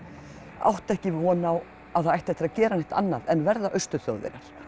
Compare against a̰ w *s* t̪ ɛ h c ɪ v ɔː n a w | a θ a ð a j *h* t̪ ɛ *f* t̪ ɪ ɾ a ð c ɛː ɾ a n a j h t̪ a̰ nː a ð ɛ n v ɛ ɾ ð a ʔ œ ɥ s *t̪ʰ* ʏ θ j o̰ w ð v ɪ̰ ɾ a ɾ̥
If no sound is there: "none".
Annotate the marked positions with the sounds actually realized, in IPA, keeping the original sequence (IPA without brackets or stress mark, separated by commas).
h, h, h, t̪